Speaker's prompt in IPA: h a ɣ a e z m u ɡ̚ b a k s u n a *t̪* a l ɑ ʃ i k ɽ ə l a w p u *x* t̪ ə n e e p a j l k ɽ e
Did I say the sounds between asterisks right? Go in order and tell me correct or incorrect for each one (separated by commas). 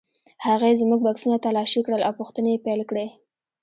correct, correct